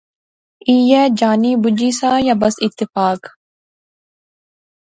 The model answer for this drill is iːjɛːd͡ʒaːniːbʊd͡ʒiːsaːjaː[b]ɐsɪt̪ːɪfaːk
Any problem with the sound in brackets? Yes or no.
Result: no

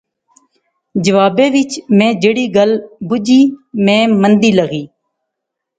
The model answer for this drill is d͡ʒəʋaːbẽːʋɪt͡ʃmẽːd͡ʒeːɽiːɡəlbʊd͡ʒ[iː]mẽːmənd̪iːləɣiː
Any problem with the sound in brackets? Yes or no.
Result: no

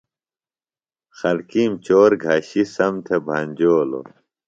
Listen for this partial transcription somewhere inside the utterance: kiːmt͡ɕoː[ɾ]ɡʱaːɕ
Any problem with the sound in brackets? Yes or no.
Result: no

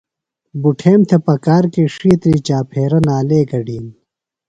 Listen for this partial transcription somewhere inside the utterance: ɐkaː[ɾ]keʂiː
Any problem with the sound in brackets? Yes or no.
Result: no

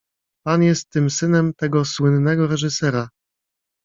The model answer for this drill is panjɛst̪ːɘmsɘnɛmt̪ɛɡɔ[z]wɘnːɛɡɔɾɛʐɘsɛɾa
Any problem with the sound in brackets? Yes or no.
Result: yes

